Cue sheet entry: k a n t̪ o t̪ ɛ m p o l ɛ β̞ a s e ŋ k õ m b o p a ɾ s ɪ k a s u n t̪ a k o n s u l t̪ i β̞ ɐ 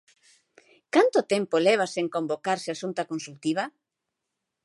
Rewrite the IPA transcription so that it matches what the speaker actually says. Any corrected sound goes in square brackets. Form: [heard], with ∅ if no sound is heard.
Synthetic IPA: k a n t̪ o t̪ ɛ m p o l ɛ β̞ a s e ŋ k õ m b o [k] a ɾ s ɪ [∅] a s u n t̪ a k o n s u l t̪ i β̞ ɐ